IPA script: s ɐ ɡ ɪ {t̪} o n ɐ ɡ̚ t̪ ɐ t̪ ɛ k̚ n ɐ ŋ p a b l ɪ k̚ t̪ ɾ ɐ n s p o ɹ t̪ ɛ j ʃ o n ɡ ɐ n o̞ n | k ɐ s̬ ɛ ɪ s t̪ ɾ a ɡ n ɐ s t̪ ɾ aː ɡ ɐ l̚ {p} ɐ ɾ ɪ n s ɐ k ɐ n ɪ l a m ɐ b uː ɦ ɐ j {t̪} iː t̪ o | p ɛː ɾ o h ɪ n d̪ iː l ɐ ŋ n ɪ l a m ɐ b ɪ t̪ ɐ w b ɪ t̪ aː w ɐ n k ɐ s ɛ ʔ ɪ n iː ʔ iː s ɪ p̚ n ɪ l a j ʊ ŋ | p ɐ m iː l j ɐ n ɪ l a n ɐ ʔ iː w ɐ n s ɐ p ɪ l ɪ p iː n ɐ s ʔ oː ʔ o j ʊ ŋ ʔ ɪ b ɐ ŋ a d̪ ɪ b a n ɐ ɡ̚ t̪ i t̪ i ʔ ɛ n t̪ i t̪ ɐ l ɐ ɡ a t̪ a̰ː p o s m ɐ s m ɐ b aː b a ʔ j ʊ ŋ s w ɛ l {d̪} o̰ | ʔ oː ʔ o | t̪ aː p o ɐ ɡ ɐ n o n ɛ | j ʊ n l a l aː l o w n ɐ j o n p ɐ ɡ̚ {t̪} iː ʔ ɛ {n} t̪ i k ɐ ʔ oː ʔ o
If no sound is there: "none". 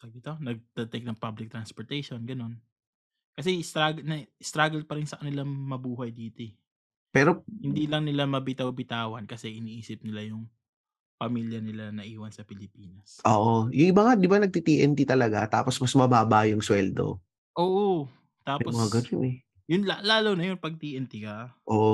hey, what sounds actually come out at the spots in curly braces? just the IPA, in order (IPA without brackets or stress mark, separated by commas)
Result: t̪, p, d̪, d̪, t̪, n